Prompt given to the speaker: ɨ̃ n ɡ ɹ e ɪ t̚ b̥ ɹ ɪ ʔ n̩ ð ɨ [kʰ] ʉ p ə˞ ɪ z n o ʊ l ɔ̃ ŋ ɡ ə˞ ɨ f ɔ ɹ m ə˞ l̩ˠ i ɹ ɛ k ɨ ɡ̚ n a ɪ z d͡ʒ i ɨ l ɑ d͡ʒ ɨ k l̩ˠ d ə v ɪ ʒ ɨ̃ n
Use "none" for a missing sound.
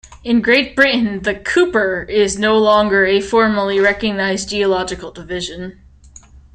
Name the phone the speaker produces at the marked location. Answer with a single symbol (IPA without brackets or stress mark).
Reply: kʰ